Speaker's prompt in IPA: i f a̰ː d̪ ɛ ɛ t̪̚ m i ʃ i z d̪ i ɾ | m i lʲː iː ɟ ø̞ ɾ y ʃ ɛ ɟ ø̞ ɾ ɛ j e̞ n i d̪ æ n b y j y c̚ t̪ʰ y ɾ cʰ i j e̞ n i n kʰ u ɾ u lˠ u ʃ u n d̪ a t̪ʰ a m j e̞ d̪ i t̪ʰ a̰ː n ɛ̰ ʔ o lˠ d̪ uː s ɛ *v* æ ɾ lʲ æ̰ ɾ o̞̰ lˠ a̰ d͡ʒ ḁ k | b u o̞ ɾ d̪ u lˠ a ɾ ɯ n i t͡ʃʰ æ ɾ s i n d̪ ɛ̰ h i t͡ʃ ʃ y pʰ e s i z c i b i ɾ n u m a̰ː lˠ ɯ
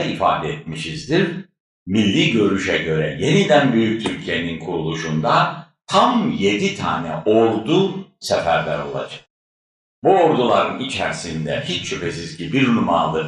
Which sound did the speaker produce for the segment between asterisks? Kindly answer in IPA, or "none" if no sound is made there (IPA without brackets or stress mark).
f